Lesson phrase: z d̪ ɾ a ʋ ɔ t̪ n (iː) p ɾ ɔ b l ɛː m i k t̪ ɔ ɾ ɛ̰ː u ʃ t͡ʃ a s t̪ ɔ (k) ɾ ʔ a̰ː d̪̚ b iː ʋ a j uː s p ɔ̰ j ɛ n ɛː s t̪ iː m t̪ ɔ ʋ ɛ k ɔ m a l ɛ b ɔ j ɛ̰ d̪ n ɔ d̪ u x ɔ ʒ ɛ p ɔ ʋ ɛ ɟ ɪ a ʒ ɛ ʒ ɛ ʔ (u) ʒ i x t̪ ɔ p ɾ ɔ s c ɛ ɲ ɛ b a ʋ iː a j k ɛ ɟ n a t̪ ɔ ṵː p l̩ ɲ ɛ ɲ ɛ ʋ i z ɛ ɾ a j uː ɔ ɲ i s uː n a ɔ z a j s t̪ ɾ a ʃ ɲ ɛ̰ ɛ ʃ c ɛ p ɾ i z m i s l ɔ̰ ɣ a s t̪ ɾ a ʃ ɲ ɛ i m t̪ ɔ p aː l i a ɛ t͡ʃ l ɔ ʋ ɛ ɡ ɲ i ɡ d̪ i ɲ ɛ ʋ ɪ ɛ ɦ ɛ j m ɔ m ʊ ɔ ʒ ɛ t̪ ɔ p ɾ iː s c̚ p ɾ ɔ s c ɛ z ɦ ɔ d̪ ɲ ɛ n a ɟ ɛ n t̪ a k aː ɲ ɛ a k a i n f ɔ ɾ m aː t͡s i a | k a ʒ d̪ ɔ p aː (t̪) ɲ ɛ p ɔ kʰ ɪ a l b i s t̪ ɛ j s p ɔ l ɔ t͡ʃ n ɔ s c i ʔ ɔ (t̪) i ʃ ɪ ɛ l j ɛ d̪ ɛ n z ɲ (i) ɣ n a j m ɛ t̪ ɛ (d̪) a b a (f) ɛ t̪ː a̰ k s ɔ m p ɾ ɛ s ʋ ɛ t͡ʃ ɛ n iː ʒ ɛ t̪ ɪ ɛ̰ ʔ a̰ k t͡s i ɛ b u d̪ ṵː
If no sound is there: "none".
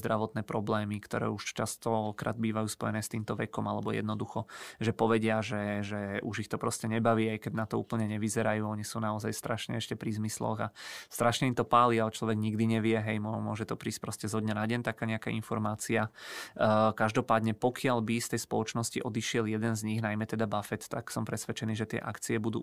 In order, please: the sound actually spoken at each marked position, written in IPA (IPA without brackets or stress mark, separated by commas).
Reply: ɛː, k, u, d̪, d̪, i, d̪, f